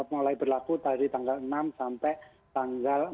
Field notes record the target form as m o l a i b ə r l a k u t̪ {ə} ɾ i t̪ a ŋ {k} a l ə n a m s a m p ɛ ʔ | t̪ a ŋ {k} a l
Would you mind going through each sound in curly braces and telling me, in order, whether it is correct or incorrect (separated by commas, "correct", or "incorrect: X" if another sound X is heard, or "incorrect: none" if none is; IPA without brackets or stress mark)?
incorrect: a, incorrect: ɡ, incorrect: ɡ